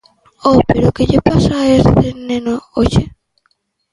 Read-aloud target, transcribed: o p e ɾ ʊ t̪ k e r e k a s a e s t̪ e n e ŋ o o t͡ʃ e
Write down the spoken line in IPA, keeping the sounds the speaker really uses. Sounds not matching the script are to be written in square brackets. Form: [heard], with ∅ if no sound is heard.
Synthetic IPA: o p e ɾ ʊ [∅] k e [ʎ] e [p] a s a e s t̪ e n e [n] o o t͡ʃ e